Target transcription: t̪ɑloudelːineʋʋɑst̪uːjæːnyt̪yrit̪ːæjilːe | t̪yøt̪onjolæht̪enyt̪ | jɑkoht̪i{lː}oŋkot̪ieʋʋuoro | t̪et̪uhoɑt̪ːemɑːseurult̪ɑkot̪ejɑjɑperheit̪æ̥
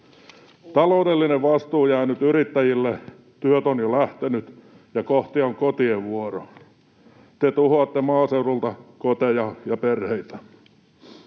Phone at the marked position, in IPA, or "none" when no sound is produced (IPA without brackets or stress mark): none